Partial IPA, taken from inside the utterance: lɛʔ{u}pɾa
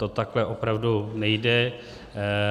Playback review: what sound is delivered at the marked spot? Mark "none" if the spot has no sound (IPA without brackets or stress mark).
o